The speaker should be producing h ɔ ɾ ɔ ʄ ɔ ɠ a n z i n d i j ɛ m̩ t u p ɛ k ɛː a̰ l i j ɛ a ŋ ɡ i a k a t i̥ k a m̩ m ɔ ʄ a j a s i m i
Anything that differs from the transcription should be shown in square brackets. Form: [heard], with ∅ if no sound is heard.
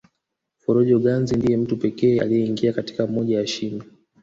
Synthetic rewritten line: [f] ɔ ɾ ɔ ʄ ɔ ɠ a n z i n d i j ɛ m̩ t u p ɛ k ɛː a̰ l i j ɛ [i] ŋ ɡ i a k a t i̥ k a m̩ m ɔ ʄ a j a [ʃ] i m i